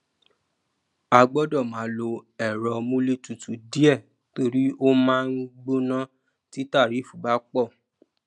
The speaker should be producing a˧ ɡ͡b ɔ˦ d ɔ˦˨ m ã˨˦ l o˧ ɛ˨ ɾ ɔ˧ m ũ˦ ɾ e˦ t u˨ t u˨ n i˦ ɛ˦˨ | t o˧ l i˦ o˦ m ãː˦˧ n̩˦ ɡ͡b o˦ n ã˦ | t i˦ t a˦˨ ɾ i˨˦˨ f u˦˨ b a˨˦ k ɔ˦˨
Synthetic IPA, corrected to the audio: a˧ ɡ͡b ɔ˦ d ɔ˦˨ m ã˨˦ l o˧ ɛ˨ ɾ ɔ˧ m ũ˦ l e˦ t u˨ t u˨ d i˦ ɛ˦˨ | t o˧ ɾ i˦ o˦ m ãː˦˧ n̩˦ ɡ͡b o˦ n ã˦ | t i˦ t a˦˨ ɾ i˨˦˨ f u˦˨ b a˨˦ k͡p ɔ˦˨

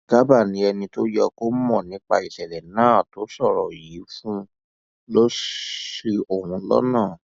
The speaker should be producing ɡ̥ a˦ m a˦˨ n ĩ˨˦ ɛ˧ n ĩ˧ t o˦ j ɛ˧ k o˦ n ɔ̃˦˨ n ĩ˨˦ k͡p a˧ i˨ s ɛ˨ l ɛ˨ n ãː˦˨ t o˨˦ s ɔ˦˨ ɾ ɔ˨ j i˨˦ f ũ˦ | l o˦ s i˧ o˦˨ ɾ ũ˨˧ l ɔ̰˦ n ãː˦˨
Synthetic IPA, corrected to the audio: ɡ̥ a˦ b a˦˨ n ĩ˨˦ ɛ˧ n ĩ˧ t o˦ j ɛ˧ k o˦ m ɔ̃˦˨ n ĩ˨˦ k͡p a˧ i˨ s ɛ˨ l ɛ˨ n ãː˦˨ t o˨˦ s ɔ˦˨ ɾ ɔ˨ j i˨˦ f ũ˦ | l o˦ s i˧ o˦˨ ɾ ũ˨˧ l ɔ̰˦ n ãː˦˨

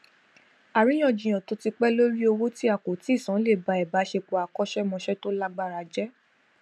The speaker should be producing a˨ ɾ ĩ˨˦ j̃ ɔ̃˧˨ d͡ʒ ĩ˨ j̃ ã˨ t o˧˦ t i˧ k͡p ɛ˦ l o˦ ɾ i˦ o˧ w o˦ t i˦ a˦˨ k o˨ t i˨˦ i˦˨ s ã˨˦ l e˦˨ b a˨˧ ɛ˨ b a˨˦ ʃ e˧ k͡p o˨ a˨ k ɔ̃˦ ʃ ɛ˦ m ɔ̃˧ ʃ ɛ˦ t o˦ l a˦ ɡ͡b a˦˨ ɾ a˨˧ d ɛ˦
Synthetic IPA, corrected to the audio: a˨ ɾ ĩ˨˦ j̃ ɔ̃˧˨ d͡ʒ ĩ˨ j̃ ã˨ t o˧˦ t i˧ k͡p ɛ˦ l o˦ ɾ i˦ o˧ w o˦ t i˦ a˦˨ k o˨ t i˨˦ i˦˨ s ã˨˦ l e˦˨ b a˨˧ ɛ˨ b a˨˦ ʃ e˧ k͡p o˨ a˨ k ɔ˦ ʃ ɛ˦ m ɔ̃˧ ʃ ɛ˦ t o˦ l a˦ ɡ͡b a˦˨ ɾ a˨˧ d͡ʒ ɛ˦

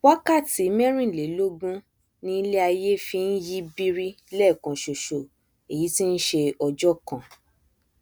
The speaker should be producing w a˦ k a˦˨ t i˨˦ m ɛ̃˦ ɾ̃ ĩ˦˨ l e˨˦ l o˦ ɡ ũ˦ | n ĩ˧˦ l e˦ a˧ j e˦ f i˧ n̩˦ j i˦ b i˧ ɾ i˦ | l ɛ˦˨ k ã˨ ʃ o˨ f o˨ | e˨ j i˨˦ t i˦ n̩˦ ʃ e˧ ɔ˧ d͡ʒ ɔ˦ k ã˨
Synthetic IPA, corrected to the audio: w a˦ k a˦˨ t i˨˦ m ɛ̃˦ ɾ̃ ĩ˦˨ l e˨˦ l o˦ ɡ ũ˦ | n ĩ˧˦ l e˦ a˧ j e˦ f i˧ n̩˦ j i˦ b i˧ ɾ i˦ | l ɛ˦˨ k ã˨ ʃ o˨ ʃ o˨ | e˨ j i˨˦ t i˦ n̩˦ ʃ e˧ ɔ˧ d͡ʒ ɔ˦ k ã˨

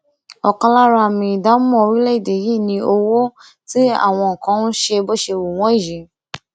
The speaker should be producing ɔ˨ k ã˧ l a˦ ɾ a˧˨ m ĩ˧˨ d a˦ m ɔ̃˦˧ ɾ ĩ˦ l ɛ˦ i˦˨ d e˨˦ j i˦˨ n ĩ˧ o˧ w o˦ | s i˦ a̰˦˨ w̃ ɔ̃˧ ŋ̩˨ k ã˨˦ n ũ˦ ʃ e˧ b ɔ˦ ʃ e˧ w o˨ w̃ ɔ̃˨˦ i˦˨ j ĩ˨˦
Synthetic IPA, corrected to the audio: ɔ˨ k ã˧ l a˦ ɾ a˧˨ m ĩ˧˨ d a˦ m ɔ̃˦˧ ɾ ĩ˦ l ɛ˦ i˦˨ d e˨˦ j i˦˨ n ĩ˧ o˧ w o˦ | t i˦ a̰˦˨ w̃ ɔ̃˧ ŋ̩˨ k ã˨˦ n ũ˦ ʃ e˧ b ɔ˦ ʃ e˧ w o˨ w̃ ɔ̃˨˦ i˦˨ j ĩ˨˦

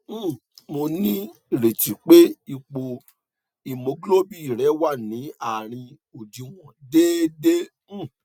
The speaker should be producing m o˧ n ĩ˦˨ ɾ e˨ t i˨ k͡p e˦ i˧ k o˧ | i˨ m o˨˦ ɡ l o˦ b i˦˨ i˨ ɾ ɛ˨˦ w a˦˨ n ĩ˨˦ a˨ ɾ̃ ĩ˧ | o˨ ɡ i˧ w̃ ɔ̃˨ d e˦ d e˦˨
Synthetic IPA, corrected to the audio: m o˧ n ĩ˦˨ ɾ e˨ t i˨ k͡p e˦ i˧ k͡p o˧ | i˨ m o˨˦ ɡ l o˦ b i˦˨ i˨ ɾ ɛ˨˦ w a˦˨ n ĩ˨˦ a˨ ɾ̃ ĩ˧ | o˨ d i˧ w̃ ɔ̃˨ d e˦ d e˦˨

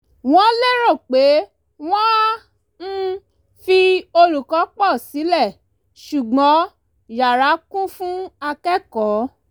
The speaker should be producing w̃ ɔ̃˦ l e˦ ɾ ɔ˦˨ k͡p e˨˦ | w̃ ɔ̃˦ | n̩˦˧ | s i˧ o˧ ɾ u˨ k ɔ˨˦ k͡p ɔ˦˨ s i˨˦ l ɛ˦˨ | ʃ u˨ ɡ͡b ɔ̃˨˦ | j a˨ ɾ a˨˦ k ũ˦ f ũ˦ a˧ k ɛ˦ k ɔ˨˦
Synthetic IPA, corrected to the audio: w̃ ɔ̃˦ l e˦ ɾ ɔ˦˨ k͡p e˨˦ | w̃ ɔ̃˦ | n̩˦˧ | f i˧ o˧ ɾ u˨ k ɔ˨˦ k͡p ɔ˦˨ s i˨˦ l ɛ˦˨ | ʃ u˨ ɡ͡b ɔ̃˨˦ | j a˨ ɾ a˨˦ k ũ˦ f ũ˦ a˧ k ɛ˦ k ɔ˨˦

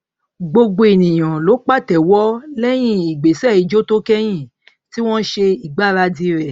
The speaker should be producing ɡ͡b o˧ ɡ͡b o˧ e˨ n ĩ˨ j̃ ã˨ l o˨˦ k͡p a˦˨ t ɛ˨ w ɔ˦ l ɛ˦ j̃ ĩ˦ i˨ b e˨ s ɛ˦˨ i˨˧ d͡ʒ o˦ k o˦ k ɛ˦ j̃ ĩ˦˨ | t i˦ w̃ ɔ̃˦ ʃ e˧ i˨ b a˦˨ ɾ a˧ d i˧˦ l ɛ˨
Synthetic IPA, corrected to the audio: ɡ͡b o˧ ɡ͡b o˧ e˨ n ĩ˨ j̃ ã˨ l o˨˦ k͡p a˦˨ t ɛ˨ w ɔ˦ l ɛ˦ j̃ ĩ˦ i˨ ɡ͡b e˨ s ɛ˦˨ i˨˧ d͡ʒ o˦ t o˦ k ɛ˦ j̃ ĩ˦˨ | t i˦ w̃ ɔ̃˦ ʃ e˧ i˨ ɡ͡b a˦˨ ɾ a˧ d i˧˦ ɾ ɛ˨

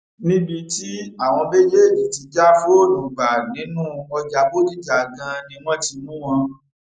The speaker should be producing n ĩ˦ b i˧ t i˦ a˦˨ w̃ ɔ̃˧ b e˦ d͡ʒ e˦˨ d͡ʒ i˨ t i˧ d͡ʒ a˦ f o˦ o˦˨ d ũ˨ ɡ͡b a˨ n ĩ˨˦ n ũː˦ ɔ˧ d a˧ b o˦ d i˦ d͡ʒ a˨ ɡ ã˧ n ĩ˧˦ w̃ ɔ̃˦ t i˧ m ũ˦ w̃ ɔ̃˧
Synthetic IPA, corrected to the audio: n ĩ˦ b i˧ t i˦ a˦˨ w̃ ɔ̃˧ b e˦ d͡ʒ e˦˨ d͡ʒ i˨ t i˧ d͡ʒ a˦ f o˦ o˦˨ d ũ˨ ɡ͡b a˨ n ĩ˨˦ n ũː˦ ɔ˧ d͡ʒ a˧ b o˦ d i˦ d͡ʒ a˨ ɡ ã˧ n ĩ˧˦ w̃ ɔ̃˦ t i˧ m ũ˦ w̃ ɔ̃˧

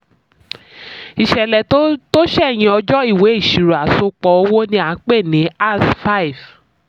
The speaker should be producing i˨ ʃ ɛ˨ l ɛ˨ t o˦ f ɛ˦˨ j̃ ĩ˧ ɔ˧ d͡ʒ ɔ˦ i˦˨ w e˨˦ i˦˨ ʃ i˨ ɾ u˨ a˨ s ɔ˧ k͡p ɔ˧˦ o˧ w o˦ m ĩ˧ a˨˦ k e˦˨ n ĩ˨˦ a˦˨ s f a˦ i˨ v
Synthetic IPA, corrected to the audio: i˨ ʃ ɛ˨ l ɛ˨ t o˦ ʃ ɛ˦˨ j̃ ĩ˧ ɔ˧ d͡ʒ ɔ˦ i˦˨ w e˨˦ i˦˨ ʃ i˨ ɾ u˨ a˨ s o˧ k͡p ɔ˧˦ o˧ w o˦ n ĩ˧ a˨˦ k͡p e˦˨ n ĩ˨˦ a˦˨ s f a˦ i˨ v

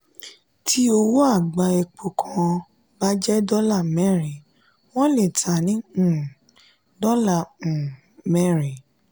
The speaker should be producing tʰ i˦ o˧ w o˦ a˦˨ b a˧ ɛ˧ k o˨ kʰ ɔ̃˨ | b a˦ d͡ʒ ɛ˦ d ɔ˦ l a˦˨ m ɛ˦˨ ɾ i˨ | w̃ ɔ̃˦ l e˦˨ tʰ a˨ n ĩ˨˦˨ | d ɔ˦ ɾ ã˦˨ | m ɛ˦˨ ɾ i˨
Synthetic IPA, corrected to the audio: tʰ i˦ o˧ w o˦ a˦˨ ɡ͡b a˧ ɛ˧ k͡p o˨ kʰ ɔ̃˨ | b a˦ d͡ʒ ɛ˦ d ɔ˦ l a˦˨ m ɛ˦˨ ɾ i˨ | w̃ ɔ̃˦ l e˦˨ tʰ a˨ n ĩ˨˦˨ | d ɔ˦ l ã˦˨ | m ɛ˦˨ ɾ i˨

